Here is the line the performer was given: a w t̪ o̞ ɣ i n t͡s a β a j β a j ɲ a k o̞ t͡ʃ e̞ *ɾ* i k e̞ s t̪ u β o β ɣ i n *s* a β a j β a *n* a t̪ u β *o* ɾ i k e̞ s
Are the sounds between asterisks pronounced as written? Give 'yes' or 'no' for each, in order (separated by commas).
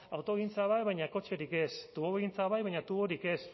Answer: yes, no, no, yes